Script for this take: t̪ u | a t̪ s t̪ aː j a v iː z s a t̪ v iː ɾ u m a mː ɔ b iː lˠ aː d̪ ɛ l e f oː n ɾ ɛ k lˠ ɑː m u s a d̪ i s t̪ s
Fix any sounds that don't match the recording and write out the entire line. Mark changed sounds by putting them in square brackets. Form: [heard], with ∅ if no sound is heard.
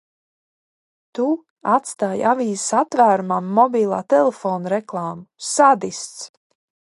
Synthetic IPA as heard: t̪ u | a t̪ s t̪ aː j a v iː z s a t̪ v [æː] ɾ u m a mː ɔ b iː lˠ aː [t̪] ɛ l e f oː n ɾ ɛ k lˠ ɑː m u s a d̪ i s t̪ s